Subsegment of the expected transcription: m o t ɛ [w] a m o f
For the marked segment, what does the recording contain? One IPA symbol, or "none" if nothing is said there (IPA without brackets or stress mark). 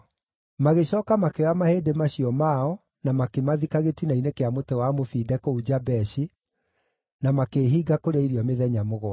w